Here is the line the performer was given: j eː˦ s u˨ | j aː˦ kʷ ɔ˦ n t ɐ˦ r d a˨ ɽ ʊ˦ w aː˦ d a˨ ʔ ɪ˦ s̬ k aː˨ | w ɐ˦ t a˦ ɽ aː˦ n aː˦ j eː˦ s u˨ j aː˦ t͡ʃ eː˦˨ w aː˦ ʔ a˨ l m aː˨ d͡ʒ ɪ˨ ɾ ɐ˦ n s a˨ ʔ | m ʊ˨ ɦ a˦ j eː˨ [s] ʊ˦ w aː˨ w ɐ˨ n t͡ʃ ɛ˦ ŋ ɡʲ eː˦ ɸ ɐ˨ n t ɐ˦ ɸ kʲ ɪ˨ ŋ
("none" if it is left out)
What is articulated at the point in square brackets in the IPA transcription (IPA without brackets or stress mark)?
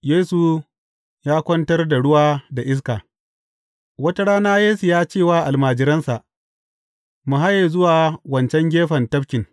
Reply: z